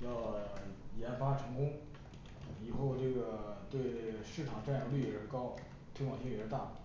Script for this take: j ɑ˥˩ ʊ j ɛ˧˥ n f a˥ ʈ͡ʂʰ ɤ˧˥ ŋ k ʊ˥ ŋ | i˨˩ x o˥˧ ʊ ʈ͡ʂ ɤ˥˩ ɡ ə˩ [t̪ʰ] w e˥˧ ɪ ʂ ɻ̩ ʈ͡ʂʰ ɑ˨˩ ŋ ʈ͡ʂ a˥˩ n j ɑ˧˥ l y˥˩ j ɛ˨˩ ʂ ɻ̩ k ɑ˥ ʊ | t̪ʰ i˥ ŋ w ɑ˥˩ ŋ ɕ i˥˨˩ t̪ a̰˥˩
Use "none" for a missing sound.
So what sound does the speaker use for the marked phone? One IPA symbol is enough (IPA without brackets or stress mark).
t̪